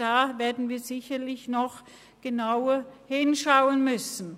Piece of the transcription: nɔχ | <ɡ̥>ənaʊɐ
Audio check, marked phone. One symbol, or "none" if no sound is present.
ɡ̥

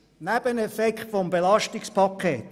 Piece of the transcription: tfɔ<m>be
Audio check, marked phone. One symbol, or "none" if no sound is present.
m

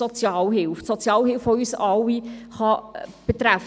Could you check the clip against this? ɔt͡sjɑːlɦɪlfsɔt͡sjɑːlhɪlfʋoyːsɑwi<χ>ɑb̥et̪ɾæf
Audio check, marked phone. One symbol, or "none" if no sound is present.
χ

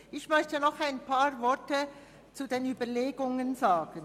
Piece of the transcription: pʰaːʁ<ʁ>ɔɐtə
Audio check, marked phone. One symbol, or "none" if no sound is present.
v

